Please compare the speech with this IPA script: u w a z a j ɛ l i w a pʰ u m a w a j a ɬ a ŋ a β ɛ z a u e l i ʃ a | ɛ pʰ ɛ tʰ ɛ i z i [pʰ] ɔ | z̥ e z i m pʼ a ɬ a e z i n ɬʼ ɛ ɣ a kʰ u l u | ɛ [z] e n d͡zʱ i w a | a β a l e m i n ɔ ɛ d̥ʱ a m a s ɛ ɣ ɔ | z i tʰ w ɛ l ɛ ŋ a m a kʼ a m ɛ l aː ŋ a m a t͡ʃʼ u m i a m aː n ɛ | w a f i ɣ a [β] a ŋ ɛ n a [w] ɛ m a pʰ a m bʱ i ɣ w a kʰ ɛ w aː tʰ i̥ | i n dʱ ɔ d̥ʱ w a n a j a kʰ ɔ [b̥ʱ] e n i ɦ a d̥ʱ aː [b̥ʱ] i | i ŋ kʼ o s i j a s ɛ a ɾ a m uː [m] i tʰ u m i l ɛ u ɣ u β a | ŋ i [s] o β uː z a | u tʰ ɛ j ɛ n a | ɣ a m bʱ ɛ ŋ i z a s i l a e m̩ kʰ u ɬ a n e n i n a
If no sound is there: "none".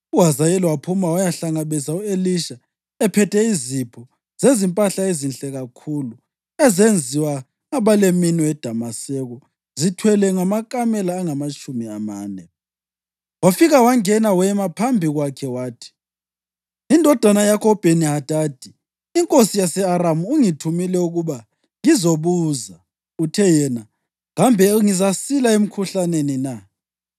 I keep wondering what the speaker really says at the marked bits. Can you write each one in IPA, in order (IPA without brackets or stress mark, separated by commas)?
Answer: pʰ, z, w, w, b̥ʱ, d̥ʱ, ŋ, z